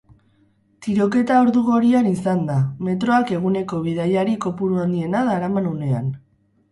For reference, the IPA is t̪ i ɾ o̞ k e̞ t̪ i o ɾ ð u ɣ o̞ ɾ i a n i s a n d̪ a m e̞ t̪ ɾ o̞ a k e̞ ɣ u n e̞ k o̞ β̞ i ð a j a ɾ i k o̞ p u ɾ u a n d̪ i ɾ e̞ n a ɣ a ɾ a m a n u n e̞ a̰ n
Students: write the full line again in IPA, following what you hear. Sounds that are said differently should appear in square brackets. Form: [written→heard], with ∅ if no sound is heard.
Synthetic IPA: t̪ i ɾ o̞ k e̞ t̪ [i→a] o ɾ ð u ɣ o̞ ɾ i a n i s a n d̪ a m e̞ t̪ ɾ o̞ a k e̞ ɣ u n e̞ k o̞ β̞ i ð a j a ɾ i k o̞ p u ɾ u a n d̪ i [ɾ→∅] e̞ n a [ɣ→ð] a ɾ a m a n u n e̞ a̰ n